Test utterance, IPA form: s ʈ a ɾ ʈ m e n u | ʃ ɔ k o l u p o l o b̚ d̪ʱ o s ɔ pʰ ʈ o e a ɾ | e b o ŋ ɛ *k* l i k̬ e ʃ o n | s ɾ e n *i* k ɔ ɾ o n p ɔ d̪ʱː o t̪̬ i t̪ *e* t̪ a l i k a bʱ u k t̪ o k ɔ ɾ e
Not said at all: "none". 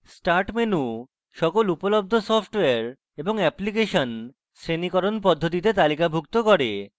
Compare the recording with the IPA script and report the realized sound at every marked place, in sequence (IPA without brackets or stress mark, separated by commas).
p, i, e